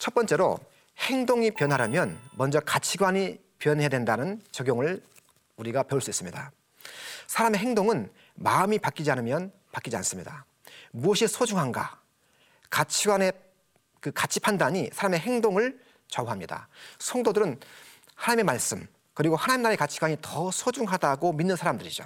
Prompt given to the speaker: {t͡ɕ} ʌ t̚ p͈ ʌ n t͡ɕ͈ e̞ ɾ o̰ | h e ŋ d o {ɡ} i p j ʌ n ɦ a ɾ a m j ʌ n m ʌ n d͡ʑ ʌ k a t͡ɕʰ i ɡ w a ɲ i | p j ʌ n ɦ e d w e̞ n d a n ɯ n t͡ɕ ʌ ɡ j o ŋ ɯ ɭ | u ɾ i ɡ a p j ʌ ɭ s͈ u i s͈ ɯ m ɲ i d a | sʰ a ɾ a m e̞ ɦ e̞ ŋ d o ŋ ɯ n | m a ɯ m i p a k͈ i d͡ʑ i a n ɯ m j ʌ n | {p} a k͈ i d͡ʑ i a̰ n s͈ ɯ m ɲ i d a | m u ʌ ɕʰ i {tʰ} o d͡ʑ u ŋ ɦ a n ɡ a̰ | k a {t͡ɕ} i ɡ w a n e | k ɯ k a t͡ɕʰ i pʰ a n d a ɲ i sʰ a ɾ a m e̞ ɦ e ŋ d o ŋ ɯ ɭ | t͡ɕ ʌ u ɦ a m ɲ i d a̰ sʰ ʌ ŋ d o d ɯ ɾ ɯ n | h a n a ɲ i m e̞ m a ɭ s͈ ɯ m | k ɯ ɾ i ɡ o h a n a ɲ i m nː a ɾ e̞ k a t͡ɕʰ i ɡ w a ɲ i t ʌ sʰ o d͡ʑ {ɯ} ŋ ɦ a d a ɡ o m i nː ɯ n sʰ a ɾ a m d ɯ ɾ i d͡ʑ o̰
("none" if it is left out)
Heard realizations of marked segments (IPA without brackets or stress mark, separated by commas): t͡ɕʰ, ŋ, p, sʰ, t͡ɕʰ, u